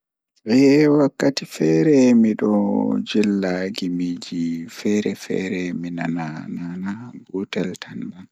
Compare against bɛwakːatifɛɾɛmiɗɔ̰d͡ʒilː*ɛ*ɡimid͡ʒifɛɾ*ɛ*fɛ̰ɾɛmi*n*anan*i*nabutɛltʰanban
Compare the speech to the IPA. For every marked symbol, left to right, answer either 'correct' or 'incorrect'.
incorrect: a, correct, correct, incorrect: a

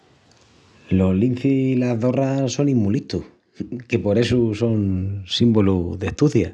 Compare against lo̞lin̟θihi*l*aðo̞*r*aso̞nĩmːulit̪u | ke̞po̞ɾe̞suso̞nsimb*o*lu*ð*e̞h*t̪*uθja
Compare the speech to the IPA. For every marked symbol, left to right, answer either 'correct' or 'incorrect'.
correct, correct, correct, correct, correct

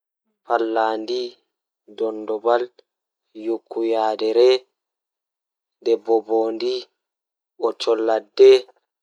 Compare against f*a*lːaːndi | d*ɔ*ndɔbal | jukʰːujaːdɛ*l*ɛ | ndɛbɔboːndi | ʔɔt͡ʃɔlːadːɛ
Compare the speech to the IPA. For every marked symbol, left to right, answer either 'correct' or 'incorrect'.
correct, correct, incorrect: ɾ

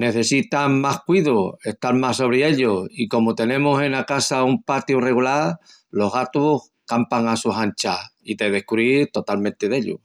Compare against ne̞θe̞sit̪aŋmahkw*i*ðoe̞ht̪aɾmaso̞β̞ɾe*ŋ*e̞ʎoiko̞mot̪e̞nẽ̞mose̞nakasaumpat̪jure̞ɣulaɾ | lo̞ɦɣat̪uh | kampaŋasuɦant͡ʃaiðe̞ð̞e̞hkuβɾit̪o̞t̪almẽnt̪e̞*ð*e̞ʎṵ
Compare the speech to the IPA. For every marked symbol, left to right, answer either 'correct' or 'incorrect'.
correct, incorrect: none, correct

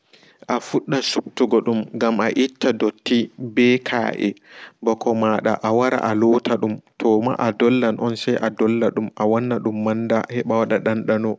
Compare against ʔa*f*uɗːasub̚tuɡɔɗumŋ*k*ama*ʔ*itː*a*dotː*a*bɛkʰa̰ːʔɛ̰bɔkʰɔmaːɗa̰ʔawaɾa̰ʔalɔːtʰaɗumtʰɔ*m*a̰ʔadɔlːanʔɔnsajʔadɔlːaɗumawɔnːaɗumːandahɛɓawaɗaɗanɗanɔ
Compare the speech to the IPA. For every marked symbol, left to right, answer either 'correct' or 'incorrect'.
correct, incorrect: ɡ, correct, correct, incorrect: i, correct

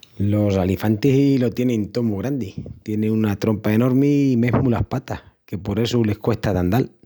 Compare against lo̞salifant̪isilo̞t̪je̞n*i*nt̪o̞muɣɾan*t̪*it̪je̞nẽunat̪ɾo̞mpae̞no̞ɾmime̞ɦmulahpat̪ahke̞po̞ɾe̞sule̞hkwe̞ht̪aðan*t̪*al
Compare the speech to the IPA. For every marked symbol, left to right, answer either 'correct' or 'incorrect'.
incorrect: e, incorrect: d̪, incorrect: d̪

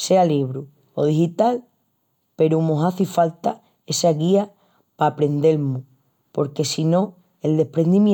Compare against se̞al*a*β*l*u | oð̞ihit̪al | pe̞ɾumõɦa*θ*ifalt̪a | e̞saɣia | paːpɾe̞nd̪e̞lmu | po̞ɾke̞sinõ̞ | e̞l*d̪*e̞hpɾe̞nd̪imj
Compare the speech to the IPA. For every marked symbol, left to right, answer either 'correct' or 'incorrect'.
incorrect: i, incorrect: ɾ, correct, correct

